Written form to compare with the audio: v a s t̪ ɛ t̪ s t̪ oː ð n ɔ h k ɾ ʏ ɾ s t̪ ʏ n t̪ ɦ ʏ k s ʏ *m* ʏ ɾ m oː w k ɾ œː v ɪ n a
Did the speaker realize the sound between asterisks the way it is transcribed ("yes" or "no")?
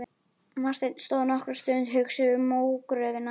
no